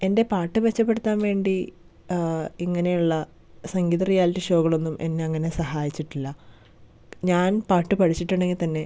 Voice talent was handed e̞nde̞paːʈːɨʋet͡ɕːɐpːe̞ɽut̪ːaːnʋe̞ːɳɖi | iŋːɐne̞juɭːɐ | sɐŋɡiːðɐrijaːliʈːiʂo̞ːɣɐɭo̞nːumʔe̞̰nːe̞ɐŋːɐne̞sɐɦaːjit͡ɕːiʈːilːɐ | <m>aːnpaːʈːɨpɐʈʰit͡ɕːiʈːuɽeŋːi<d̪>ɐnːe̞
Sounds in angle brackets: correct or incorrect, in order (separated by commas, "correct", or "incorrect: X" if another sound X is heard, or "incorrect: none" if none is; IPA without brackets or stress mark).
incorrect: ɲ, incorrect: t̪